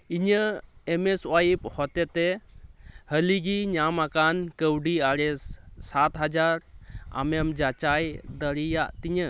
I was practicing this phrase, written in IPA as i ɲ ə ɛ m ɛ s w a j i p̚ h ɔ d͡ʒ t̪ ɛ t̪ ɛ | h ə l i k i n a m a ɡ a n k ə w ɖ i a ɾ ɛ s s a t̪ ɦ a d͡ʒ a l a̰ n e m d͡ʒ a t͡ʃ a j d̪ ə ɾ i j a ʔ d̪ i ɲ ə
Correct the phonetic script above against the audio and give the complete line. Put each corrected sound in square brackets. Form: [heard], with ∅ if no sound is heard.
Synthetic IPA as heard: i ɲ ə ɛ m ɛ s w a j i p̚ h ɔ [∅] t̪ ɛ t̪ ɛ | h ə l i [ɡ] i [ɲ] a m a [k] a n k ə w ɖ i a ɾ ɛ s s a t̪ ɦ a d͡ʒ a [ɾ] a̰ [m] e m d͡ʒ a t͡ʃ a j d̪ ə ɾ i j a ʔ [t̪] i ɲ ə

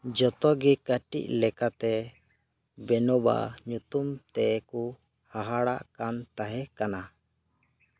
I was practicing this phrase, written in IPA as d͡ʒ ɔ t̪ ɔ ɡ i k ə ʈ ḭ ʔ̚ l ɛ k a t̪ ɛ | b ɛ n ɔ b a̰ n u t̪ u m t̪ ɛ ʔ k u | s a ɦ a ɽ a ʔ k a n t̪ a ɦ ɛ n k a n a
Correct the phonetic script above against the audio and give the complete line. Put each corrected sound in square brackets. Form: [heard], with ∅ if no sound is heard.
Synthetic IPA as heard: d͡ʒ ɔ t̪ ɔ ɡ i k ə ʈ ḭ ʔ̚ l ɛ k a t̪ ɛ | b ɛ n ɔ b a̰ [ɲ] u t̪ u m t̪ ɛ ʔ k u | [h] a ɦ a ɽ a ʔ k a n t̪ a ɦ ɛ [∅] k a n a

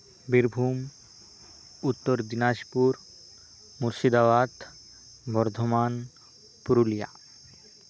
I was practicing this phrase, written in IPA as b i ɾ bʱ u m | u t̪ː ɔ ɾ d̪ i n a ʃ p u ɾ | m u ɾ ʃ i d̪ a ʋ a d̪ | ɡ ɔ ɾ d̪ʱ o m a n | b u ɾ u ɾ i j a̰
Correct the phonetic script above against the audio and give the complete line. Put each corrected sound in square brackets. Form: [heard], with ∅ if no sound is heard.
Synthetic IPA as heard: b i ɾ bʱ u m | u t̪ː [o] ɾ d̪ i n a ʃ p u ɾ | m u ɾ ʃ i d̪ a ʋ a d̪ | [b] ɔ ɾ d̪ʱ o m a n | [p] u ɾ u [l] i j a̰

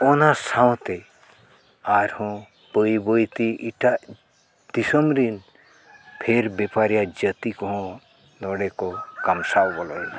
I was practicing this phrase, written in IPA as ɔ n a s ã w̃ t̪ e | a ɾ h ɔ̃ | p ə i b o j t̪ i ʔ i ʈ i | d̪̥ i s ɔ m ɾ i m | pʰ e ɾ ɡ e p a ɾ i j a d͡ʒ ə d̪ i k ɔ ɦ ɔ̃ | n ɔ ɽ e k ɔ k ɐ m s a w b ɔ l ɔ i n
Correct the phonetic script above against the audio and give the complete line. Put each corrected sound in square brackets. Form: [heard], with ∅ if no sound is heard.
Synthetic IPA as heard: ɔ n a s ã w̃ t̪ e | a ɾ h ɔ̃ | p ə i b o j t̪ i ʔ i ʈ [a] | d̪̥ i s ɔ m ɾ i [n] | pʰ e ɾ [b] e p a ɾ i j a d͡ʒ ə [t̪] i k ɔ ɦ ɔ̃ | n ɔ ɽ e k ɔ k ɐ m s a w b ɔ l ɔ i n

